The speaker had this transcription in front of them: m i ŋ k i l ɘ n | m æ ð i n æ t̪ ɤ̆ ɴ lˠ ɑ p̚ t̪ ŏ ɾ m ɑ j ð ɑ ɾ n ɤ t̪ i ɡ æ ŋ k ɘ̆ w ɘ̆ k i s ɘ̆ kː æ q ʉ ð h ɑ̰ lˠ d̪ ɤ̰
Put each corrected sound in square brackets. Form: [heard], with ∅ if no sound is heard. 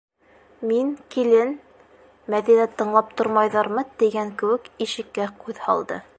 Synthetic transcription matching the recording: m i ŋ k i l ɘ n | m æ ð i n æ t̪ ɤ̆ ɴ lˠ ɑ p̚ t̪ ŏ ɾ m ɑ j ð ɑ ɾ [m] ɤ t̪ i ɡ æ ŋ k ɘ̆ w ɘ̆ k i [ʃ] ɘ̆ kː æ q ʉ ð h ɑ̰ lˠ d̪ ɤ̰